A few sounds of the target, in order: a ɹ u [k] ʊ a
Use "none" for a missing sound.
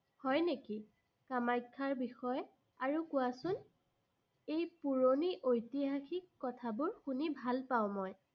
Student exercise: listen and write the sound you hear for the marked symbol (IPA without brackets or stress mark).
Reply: k